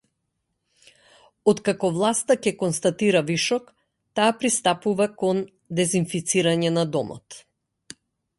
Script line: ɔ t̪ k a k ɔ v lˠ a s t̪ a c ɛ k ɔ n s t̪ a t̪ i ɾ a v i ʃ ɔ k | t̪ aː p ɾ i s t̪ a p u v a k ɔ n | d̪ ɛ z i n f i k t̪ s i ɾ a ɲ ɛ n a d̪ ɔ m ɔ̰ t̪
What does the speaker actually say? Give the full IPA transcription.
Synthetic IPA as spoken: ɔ t̪ k a k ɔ v lˠ a s t̪ a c ɛ k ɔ n s t̪ a t̪ i ɾ a v i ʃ ɔ k | t̪ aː p ɾ i s t̪ a p u v a k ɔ n | d̪ ɛ z i n f i t̪ s i ɾ a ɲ ɛ n a d̪ ɔ m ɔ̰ t̪